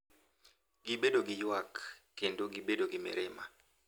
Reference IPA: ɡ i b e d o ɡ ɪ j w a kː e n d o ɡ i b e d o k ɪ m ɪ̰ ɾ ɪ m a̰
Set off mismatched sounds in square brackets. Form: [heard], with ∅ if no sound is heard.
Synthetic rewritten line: ɡ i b e d o ɡ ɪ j w a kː e n d o ɡ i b e d o [ɡ] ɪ m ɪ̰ ɾ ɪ m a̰

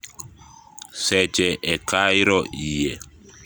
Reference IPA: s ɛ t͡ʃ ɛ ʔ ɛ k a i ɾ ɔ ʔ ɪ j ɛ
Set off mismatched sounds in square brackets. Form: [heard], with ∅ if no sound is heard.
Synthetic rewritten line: s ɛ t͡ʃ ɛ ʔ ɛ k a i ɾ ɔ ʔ [i] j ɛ

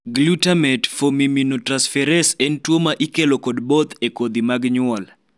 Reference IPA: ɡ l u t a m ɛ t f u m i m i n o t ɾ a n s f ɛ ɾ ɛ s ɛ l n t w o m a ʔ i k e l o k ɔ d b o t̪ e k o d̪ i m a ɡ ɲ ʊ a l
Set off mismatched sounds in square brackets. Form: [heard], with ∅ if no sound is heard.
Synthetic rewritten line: ɡ l u t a m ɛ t f [o] m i m i n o t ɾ a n s f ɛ ɾ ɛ s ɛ [∅] n t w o m a ʔ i k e l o k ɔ d b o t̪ e k o d̪ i m a ɡ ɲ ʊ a l

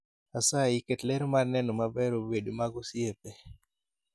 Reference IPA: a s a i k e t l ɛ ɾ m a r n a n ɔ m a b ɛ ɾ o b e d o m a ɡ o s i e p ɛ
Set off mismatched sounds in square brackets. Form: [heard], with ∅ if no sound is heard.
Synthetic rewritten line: a s a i k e t l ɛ ɾ m a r n [ɛ] n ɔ m a b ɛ ɾ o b e d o m a ɡ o s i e p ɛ

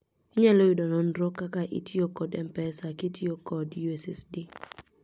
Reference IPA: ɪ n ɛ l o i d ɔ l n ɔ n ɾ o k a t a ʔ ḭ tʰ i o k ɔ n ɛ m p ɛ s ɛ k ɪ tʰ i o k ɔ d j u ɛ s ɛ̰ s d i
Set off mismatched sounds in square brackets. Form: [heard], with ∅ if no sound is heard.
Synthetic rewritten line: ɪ [ɲ] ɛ l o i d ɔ [∅] n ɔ n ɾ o k a [k] a ʔ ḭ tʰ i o k ɔ [d] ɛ m p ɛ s [a] k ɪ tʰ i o k ɔ d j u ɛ s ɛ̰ s d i

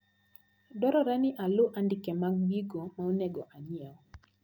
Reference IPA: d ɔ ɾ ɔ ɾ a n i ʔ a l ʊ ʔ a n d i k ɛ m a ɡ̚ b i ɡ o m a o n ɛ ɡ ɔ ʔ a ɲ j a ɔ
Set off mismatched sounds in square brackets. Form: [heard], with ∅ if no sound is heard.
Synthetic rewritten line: d ɔ ɾ ɔ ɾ a n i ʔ a l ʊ ʔ a n d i k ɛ m a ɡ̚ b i ɡ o m a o n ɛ ɡ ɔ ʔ a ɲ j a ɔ

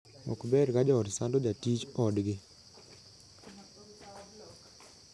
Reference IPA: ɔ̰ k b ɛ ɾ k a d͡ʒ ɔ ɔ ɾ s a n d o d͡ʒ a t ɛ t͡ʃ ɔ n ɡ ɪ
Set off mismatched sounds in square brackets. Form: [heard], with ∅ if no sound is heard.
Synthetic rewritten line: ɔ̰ k b ɛ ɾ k a d͡ʒ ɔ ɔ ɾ s a n d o d͡ʒ a t [i] t͡ʃ ɔ [d] ɡ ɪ

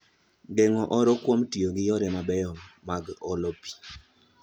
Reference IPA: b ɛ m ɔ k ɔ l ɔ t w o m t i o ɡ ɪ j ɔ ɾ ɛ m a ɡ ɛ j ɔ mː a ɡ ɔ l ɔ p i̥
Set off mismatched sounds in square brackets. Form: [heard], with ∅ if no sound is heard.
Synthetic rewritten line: [ɡ] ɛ [ŋ] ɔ [ʔ] ɔ [ɾ] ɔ [k] w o m t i o ɡ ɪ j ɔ ɾ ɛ m a [b] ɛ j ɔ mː a ɡ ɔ l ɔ p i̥

